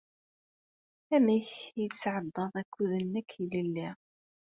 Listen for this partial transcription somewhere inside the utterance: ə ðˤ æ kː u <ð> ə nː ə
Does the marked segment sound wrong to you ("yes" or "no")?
no